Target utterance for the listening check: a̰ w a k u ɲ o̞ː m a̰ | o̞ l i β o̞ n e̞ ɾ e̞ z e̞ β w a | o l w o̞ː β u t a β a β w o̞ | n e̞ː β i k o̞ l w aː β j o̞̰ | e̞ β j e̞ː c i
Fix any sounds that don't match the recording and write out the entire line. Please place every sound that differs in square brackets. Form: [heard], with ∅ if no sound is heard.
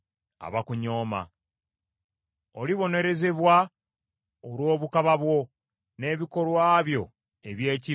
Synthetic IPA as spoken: a̰ [β] a k u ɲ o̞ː m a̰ | o̞ l i β o̞ n e̞ ɾ e̞ z e̞ β w a | o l w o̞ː β u [k] a β a β w o̞ | n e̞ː β i k o̞ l w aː β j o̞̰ | e̞ β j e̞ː c i